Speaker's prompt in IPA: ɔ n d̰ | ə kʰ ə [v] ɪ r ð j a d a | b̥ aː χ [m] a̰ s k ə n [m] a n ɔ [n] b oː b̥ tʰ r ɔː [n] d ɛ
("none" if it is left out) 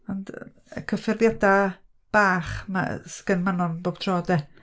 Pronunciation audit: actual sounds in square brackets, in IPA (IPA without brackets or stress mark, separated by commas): f, m, m, n, none